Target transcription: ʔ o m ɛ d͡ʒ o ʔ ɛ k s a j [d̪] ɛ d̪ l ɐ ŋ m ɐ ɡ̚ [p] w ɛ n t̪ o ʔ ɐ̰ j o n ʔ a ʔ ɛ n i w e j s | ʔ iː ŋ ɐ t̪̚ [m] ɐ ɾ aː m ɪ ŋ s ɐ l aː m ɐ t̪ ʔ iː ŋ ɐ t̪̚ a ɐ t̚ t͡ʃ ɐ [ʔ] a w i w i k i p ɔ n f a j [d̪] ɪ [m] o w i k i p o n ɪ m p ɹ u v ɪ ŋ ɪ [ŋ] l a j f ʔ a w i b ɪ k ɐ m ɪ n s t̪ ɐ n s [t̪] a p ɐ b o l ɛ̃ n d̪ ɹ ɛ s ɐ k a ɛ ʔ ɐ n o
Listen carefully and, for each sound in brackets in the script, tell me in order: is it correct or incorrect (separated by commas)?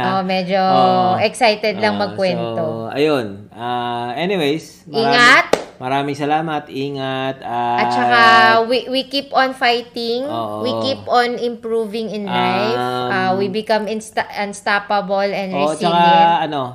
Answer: incorrect, incorrect, correct, incorrect, incorrect, incorrect, incorrect, correct